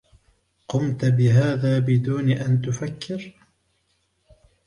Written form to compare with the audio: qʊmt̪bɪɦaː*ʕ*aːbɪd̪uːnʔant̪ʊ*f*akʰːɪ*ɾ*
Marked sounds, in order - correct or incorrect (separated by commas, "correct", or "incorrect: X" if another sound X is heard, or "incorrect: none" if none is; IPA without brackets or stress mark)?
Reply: incorrect: ð, correct, correct